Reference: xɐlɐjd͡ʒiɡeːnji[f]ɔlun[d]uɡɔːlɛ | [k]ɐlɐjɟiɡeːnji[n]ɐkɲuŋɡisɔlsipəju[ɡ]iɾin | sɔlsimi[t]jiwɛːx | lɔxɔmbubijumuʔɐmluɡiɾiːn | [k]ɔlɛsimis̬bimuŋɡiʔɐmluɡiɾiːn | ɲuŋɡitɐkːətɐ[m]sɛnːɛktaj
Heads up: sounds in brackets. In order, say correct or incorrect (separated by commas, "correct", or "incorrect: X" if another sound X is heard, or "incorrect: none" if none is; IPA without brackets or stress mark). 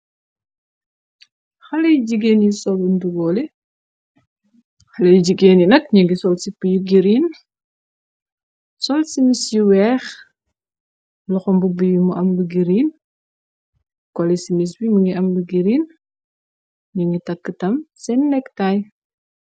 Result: incorrect: s, correct, incorrect: x, correct, correct, incorrect: s, correct, correct